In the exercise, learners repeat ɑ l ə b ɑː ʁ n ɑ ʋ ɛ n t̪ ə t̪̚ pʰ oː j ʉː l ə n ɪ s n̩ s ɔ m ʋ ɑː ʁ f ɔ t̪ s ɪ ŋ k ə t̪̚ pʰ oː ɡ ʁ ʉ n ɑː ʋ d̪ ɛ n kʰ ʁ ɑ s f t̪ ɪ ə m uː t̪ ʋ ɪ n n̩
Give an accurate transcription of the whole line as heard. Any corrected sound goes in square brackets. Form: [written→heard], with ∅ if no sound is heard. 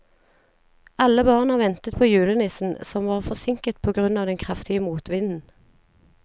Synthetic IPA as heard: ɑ l ə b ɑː ʁ n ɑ ʋ ɛ n t̪ ə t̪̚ pʰ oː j ʉː l ə n ɪ s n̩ s ɔ m ʋ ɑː ʁ f ɔ [t̪→∅] s ɪ ŋ k ə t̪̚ pʰ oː ɡ ʁ ʉ n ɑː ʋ d̪ ɛ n kʰ ʁ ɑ [s→∅] f t̪ ɪ ə m uː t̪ ʋ ɪ n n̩